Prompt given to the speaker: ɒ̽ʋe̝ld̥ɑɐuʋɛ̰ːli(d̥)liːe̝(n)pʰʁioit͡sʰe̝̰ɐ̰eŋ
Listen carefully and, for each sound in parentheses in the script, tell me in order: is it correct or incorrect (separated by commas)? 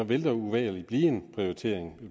incorrect, correct